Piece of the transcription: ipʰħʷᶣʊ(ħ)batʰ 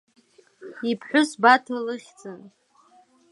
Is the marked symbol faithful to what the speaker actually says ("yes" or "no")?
no